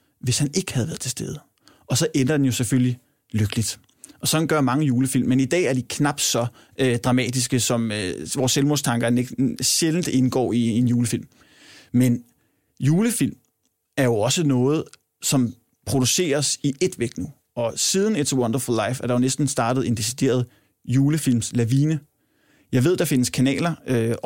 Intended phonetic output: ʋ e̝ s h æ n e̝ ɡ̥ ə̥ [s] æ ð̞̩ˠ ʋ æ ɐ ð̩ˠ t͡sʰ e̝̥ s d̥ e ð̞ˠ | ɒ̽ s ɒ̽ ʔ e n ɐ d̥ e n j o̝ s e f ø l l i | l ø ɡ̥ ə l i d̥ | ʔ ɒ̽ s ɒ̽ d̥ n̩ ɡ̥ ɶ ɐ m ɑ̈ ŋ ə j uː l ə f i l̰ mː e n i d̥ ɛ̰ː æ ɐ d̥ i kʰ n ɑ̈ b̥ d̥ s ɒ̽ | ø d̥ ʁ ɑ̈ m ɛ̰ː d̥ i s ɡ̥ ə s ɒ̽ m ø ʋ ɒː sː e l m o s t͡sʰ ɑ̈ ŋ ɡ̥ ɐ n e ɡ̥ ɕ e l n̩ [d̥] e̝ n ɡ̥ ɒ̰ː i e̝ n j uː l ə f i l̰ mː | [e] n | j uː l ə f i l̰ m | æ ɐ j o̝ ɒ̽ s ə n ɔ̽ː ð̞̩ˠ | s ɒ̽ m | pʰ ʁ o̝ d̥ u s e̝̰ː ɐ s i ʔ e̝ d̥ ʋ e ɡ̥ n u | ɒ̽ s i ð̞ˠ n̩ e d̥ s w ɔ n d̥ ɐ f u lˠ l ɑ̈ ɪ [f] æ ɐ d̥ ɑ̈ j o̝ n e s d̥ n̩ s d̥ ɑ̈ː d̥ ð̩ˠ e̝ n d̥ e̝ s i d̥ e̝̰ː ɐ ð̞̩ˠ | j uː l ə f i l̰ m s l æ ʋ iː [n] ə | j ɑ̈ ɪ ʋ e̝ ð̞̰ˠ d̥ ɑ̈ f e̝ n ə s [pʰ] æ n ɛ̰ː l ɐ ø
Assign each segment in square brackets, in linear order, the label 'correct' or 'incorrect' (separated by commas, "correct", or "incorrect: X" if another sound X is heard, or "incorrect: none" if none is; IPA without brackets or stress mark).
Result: incorrect: h, correct, correct, correct, correct, incorrect: kʰ